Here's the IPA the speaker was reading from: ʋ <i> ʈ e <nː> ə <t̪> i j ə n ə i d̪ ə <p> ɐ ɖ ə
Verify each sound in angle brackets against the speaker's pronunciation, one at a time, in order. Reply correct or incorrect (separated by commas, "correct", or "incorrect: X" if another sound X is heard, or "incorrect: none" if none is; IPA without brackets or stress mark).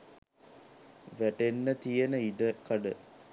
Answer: incorrect: æ, correct, correct, incorrect: k